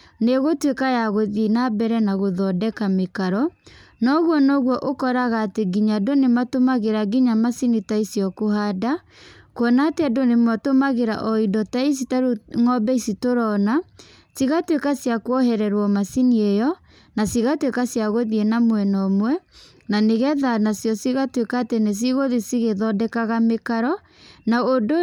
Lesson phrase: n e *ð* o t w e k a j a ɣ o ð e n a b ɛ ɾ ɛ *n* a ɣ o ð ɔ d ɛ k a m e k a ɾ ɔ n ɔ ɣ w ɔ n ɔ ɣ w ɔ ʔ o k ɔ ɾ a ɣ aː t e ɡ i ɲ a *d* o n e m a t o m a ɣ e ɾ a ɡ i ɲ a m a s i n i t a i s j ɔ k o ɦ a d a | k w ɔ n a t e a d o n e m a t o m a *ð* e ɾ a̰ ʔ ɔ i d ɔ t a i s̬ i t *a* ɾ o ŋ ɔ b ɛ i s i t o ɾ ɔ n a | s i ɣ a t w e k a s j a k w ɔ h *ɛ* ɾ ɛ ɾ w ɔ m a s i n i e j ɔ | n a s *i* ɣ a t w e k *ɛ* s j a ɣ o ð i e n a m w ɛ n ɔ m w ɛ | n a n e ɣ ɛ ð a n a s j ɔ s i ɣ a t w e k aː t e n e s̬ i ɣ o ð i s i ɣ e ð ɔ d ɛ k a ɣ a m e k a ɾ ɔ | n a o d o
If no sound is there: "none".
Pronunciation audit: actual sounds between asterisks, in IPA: ɣ, n, d, ɣ, a, ɛ, i, a

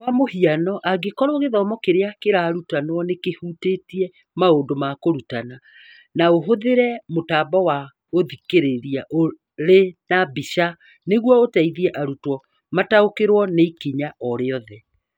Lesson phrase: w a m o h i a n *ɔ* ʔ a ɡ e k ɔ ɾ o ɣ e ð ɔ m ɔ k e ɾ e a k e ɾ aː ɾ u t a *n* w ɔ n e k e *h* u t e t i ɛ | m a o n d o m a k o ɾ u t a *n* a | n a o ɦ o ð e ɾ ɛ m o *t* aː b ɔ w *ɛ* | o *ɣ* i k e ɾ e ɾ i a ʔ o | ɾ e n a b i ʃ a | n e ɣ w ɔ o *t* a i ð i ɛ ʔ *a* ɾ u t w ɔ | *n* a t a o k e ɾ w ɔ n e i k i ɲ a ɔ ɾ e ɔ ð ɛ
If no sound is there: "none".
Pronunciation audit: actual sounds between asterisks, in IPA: ɔ, n, h, n, t, a, ð, t, a, m

